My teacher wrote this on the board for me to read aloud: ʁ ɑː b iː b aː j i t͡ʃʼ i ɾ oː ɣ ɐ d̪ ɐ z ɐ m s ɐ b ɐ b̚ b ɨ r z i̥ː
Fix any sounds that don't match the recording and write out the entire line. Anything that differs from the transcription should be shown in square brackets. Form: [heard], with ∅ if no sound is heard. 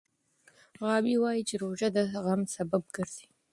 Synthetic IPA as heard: ʁ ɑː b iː [w] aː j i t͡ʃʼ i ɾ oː [ʒ] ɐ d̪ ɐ [ʁ] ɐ m s ɐ b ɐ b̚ [ɡ] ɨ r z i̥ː